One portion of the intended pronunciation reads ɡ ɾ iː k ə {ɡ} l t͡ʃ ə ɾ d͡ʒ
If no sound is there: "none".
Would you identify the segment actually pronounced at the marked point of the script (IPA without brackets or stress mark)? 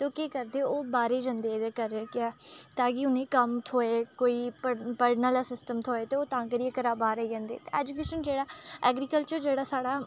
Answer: none